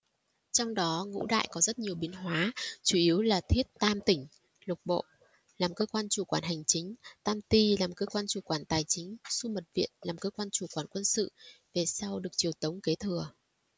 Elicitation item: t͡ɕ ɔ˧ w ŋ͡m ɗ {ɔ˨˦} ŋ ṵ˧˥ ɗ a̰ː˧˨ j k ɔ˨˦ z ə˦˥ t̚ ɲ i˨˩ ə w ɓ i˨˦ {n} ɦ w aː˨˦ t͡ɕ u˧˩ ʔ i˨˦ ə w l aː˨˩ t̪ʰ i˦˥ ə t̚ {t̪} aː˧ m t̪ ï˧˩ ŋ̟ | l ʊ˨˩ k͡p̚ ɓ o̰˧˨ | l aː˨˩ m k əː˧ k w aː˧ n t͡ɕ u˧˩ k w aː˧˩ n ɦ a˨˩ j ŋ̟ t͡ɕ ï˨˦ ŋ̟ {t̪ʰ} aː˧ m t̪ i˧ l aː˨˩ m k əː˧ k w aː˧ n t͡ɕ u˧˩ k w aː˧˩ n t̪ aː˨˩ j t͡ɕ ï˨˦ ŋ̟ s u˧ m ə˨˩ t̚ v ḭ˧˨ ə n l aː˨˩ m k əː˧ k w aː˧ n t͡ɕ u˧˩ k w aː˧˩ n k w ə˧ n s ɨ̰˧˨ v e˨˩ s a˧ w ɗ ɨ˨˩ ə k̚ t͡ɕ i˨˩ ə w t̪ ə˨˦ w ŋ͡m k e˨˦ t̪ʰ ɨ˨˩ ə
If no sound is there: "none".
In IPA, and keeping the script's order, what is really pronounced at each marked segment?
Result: ɔ˨˦, n, t̪, t̪

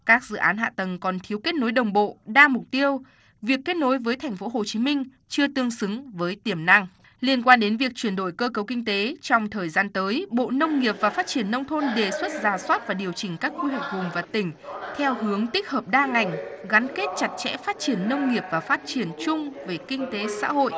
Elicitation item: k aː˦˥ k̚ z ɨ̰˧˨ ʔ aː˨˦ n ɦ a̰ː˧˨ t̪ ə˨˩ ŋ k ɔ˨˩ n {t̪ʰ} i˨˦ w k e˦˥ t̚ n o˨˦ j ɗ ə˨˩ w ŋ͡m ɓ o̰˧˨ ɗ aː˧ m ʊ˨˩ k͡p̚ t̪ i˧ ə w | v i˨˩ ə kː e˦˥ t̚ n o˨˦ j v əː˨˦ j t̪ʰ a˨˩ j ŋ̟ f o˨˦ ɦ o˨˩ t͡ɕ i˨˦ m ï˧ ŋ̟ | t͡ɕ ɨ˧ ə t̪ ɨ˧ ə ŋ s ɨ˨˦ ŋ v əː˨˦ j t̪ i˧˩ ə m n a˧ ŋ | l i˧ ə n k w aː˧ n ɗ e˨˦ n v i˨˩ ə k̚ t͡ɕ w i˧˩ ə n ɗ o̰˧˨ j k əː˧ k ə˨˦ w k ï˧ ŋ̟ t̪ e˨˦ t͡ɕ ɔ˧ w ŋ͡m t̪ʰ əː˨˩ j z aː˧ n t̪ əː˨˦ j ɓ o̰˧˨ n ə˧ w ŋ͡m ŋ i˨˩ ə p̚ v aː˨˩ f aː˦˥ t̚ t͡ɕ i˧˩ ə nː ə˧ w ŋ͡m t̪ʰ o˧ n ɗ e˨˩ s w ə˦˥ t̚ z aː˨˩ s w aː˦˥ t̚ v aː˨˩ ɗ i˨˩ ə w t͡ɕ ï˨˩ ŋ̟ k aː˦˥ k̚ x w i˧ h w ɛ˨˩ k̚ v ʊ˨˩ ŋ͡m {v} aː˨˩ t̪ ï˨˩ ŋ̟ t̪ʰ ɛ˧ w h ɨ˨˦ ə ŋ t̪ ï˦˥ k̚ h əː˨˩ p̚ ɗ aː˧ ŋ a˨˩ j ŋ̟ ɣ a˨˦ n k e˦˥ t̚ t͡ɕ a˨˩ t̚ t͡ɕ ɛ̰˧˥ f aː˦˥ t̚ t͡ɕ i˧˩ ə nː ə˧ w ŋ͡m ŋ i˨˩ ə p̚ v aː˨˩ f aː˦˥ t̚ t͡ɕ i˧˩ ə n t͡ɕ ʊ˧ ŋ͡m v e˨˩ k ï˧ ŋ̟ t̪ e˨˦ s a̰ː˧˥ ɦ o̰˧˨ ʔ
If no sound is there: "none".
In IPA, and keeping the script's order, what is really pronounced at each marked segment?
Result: t̪ʰ, v

